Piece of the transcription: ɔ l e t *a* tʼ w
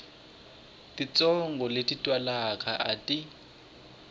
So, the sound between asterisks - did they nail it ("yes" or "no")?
no